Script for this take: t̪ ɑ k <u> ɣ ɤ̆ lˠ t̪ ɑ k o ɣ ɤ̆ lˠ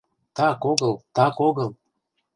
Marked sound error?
yes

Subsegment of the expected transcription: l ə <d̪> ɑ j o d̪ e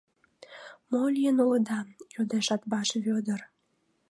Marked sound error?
no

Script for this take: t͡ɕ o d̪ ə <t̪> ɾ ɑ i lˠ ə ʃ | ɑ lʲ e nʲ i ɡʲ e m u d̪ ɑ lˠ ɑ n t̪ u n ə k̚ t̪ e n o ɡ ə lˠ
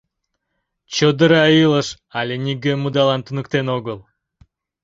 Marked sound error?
yes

